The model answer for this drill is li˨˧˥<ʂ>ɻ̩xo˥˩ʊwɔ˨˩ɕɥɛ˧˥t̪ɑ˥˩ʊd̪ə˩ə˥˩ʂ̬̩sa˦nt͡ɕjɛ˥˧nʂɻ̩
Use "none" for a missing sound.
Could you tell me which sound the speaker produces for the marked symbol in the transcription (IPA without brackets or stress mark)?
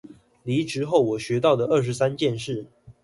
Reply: ʈ͡ʂ